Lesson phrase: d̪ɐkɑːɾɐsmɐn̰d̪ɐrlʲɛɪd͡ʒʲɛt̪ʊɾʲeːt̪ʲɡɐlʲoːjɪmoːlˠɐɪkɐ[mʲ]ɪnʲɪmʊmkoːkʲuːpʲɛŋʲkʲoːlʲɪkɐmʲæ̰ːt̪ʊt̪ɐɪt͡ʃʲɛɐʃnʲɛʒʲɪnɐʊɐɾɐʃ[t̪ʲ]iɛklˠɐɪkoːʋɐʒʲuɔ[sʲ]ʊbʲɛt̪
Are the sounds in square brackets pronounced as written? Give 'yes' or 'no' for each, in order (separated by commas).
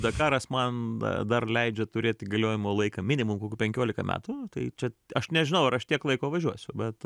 yes, yes, yes